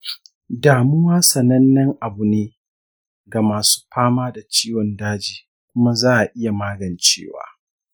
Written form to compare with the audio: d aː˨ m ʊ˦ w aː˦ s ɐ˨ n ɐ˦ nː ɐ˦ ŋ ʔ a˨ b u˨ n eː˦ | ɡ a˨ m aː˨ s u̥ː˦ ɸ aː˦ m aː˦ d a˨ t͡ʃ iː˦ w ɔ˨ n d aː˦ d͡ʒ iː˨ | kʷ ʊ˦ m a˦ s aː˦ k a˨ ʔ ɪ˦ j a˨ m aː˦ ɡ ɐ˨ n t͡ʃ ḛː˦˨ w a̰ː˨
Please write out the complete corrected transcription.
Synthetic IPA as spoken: d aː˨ m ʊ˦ w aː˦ s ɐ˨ n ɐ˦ nː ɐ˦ ŋ ʔ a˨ b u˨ n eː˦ | ɡ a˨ m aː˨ s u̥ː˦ ɸ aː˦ m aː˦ d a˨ t͡ʃ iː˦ w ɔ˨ n d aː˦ d͡ʒ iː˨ | kʷ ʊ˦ m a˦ z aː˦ ʔ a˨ ʔ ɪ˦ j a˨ m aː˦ ɡ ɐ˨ n t͡ʃ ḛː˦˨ w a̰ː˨